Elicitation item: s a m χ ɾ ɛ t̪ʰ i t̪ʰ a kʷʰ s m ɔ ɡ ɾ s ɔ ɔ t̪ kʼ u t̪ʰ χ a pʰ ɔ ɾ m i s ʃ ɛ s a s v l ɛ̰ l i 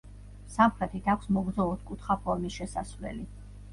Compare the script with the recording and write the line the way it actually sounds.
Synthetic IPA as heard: s a m χ ɾ ɛ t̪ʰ i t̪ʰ a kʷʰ s m ɔ ɡ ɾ z ɔ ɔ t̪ kʼ u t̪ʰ χ a pʰ ɔ ɾ m i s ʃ ɛ s a s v l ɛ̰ l i